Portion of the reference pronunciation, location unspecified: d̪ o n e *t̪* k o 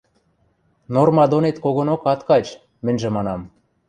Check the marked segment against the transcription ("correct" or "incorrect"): correct